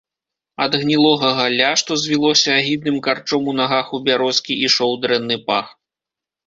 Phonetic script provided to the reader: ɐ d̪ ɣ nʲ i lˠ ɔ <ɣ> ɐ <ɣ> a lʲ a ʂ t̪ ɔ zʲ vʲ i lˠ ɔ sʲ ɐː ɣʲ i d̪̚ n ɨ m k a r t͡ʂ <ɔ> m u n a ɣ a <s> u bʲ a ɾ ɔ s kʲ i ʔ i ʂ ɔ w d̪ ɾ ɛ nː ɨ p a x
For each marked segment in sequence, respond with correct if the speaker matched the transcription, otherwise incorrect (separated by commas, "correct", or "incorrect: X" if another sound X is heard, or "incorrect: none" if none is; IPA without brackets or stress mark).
correct, correct, correct, incorrect: x